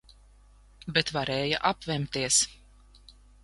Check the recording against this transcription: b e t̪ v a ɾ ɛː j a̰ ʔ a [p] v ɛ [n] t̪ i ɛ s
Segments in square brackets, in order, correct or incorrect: correct, incorrect: m

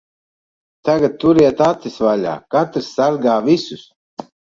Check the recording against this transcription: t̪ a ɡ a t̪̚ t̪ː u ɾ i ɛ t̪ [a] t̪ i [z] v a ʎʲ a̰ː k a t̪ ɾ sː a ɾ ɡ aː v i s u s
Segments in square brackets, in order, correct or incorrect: correct, incorrect: s

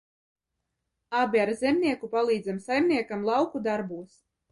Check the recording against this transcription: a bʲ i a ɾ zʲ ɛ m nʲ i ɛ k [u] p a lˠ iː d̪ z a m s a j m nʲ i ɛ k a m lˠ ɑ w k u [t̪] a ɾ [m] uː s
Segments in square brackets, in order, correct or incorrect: correct, incorrect: d̪, incorrect: b

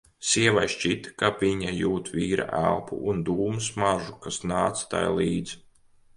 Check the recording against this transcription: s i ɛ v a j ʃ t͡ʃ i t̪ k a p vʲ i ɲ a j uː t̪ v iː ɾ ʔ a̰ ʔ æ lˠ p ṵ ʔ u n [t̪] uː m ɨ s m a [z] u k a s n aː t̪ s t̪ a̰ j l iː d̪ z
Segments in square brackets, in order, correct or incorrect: incorrect: d̪, incorrect: ʒ

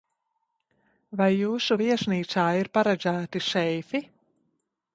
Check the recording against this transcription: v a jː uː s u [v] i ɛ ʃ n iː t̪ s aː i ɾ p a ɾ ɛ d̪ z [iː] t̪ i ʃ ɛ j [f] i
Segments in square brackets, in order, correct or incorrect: correct, incorrect: æː, correct

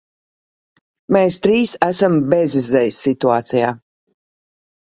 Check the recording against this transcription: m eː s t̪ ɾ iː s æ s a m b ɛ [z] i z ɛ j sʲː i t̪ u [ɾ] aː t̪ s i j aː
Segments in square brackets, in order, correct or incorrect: correct, incorrect: none

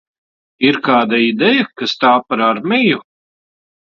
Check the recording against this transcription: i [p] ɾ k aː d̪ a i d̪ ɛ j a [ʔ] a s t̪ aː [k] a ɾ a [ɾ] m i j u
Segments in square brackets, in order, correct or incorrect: incorrect: none, incorrect: k, incorrect: p, correct

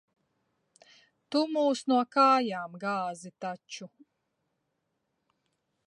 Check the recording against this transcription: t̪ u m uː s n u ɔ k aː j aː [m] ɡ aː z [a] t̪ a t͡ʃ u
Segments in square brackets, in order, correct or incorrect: correct, incorrect: i

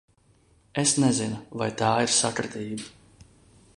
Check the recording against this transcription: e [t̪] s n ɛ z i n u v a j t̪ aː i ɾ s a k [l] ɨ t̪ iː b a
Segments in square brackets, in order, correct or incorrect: incorrect: none, incorrect: ɾ

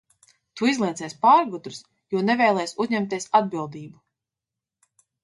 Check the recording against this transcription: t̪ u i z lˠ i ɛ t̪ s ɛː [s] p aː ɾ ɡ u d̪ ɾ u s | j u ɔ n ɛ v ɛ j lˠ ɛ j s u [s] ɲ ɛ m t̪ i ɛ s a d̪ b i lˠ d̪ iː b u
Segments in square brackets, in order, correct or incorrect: correct, incorrect: z

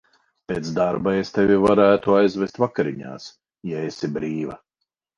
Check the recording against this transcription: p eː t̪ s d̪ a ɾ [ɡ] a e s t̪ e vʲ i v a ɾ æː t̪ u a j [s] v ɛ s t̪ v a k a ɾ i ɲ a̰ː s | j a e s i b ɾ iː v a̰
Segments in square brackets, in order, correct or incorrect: incorrect: b, incorrect: z

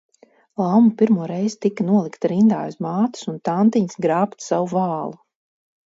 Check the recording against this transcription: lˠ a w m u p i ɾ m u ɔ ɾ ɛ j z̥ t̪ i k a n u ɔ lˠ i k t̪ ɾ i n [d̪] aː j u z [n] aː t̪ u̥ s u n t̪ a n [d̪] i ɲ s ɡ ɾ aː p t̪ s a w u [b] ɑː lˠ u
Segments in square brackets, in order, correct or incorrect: correct, incorrect: m, incorrect: t̪, incorrect: v

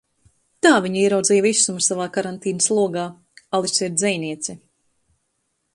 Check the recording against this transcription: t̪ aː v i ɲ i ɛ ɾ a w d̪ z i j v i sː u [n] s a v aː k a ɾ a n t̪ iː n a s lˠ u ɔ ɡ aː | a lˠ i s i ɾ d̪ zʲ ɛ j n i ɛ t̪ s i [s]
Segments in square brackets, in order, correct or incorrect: incorrect: m, incorrect: none

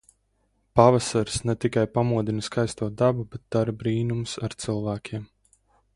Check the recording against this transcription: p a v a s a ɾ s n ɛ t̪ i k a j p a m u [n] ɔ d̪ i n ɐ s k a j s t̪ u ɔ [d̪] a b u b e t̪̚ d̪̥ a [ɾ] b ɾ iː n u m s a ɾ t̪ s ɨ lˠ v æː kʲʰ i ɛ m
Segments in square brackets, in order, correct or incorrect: incorrect: none, correct, correct

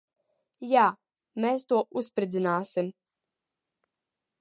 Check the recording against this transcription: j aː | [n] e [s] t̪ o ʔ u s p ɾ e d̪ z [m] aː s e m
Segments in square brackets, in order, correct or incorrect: incorrect: m, correct, incorrect: n

